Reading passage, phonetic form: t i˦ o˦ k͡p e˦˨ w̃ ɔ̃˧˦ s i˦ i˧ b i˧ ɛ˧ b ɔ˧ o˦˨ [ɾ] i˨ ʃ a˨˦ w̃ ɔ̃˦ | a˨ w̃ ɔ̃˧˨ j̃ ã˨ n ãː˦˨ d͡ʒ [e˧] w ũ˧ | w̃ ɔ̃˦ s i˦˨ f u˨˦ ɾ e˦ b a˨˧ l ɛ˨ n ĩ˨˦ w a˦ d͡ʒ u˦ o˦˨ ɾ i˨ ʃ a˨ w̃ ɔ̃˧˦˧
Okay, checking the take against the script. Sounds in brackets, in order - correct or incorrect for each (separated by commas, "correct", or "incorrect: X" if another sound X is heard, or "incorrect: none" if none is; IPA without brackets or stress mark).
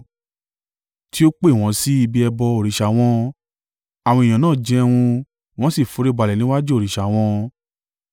correct, incorrect: ɛ˧